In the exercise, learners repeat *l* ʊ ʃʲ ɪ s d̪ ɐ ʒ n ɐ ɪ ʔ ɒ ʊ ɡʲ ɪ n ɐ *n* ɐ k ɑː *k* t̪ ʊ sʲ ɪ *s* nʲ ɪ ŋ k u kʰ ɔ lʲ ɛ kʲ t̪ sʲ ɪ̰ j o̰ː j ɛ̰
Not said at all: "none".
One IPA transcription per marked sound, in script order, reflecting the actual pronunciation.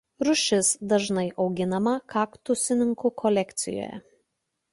ɾ, m, k, none

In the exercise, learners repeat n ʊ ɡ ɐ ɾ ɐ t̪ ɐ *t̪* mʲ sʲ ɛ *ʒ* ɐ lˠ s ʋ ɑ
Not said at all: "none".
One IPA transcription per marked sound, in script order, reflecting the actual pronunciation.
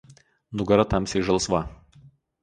none, ʒ

